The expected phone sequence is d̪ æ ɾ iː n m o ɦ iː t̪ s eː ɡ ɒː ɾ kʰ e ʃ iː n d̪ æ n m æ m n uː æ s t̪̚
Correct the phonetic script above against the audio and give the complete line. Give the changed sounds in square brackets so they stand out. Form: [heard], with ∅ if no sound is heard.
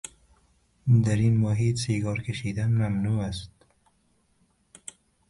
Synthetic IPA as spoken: d̪ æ ɾ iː n m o ɦ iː t̪ s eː ɡ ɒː ɾ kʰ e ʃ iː [∅] d̪ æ n m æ m n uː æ s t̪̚